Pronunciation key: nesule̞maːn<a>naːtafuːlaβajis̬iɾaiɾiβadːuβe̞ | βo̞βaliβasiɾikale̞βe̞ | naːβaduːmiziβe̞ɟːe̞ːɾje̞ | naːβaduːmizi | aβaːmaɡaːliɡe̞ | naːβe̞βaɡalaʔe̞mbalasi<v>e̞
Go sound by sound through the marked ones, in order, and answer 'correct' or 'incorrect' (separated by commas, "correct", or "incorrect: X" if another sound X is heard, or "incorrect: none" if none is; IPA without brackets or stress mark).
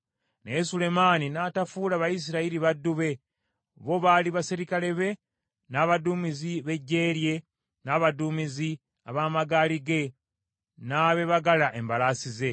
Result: incorrect: i, incorrect: z